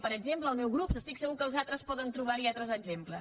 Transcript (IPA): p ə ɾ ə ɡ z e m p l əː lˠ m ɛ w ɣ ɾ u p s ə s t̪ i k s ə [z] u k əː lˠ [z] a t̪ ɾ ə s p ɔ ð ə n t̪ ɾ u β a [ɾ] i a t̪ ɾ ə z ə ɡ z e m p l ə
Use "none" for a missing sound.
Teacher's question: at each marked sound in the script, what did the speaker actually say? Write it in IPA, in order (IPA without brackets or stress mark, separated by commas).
ɣ, z, ɾ